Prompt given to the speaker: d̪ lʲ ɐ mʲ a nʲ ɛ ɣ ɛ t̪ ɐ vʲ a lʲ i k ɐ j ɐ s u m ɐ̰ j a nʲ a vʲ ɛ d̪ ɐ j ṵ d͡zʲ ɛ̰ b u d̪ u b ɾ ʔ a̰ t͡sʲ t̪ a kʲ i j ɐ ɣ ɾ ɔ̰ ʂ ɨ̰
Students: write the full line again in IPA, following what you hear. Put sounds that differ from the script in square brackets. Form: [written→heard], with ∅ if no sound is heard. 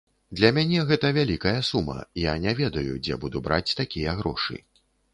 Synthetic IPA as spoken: d̪ lʲ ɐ mʲ a nʲ ɛ ɣ ɛ t̪ ɐ vʲ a lʲ i k ɐ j ɐ s u m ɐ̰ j a nʲ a vʲ ɛ d̪ ɐ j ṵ d͡zʲ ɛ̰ b u d̪ u b ɾ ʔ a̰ t͡sʲ t̪ a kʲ i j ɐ ɣ ɾ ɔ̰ ʂ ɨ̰